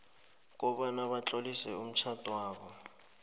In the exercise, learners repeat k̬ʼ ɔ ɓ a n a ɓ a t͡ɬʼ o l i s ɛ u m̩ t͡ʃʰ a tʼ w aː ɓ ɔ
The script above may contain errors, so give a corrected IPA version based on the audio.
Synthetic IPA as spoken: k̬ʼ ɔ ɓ a n a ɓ a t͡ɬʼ o l i s ɛ u m̩ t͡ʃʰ a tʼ w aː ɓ ɔ